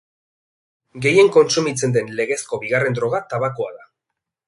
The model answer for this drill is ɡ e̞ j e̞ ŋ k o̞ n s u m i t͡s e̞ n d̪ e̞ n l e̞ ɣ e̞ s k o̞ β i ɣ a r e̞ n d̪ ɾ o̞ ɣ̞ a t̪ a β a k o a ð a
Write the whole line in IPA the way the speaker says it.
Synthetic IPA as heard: ɡ e̞ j e̞ ŋ k o̞ n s u m i t͡s e̞ n d̪ e̞ n l e̞ ɣ e̞ s k o̞ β i ɣ a r e̞ n d̪ ɾ o̞ ɣ̞ a t̪ a β a k o a ð a